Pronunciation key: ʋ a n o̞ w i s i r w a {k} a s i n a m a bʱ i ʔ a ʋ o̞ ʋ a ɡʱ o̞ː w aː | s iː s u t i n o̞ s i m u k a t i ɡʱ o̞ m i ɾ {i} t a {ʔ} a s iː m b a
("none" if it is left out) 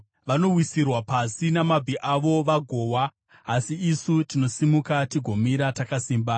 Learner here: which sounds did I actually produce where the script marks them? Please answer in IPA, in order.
p, a, k

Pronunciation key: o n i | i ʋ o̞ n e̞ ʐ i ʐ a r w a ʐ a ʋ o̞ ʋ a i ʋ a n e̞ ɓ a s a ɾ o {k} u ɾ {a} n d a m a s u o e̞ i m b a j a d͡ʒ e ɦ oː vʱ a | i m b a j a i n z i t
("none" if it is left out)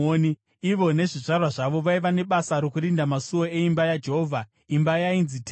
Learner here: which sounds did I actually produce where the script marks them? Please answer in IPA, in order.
k, i

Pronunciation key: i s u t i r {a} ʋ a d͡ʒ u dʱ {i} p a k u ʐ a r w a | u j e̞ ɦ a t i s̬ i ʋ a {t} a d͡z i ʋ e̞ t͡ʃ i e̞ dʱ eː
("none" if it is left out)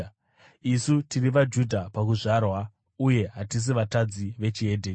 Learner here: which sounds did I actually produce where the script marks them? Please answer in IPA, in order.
i, a, t

